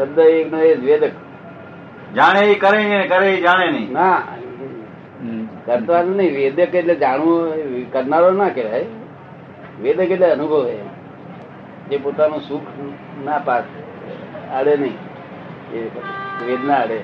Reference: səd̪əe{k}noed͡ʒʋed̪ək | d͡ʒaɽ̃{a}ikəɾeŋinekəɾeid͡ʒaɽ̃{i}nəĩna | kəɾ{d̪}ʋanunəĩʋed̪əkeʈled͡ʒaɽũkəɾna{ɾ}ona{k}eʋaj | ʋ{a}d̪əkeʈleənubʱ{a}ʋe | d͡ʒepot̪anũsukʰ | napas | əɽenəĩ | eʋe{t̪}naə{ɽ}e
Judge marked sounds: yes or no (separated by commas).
yes, no, no, no, yes, yes, no, no, no, yes